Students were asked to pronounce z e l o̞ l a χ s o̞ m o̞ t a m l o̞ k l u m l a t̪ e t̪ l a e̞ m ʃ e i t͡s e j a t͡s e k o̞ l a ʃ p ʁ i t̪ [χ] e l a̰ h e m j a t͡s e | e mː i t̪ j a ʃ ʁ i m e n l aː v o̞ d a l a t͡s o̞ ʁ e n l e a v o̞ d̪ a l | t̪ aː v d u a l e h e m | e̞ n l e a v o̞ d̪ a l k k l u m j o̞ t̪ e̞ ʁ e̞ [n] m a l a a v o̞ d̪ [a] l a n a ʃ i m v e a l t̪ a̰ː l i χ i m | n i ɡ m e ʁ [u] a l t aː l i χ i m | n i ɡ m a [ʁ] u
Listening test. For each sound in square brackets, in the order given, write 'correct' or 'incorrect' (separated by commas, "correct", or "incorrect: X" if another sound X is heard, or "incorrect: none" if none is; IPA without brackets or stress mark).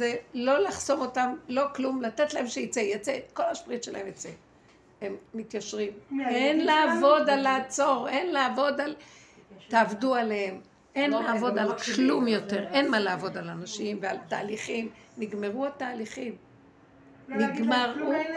incorrect: ʃ, correct, correct, correct, correct